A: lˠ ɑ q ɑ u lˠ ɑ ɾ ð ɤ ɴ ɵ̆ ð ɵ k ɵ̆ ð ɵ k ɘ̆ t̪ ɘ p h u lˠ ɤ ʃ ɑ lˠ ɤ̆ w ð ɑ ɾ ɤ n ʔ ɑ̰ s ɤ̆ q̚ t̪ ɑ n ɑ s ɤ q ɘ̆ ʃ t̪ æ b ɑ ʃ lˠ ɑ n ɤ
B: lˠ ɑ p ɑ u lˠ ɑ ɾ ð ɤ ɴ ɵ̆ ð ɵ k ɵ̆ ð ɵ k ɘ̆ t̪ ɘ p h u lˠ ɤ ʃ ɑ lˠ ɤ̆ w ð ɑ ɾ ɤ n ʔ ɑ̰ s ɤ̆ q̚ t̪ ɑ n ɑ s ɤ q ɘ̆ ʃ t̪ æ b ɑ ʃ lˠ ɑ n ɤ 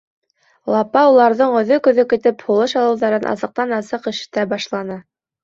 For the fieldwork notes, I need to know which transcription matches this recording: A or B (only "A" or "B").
B